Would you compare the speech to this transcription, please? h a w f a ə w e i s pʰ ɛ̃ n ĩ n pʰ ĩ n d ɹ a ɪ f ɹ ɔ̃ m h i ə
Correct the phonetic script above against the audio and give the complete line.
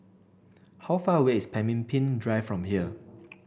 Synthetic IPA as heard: h a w f a ə w e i s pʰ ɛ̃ m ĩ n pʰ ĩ n d ɹ a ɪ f ɹ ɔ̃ m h i ə